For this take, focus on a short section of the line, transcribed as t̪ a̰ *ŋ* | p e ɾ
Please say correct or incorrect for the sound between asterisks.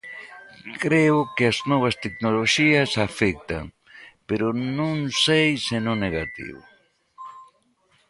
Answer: correct